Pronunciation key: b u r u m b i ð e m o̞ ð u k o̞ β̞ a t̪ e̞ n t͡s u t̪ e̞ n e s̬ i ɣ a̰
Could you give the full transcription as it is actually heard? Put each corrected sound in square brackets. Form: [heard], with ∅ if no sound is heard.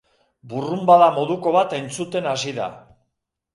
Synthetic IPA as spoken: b u r u m b [a] ð [a] m o̞ ð u k o̞ β̞ a t̪ e̞ n t͡s u t̪ e̞ n [a] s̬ i [ð] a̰